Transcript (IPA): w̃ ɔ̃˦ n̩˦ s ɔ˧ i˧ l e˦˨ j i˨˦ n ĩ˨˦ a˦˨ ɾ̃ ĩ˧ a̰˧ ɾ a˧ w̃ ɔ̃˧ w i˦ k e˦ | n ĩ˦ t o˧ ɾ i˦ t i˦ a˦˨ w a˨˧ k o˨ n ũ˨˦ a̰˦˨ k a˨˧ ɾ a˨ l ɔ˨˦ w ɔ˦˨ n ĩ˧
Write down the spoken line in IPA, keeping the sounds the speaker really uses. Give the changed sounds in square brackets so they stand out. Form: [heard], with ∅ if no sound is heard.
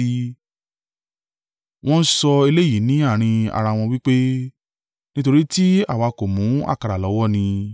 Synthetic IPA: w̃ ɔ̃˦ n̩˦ s ɔ˧ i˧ l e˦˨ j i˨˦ n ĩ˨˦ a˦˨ ɾ̃ ĩ˧ a̰˧ ɾ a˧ w̃ ɔ̃˧ w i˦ [k͡p] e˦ | n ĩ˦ t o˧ ɾ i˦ t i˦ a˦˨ w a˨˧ k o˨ [m] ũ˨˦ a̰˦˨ k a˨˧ ɾ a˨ l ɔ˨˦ w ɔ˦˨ n ĩ˧